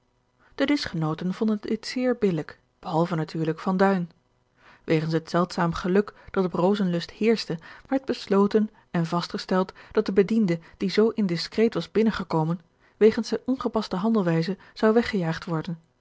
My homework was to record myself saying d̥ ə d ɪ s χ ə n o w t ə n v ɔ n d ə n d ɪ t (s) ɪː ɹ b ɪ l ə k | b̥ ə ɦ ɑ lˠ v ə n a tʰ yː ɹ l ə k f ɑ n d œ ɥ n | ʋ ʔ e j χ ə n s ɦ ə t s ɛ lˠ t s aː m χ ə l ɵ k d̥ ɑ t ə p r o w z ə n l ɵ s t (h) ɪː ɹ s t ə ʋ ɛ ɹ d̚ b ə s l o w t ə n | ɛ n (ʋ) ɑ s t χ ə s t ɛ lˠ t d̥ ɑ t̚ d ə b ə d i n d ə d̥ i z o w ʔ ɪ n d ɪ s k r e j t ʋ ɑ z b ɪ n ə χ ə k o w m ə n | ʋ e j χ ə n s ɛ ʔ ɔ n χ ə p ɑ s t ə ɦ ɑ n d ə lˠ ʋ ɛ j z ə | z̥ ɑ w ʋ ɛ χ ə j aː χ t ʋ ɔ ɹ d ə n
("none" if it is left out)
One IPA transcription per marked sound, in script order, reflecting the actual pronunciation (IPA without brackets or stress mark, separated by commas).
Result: s, h, v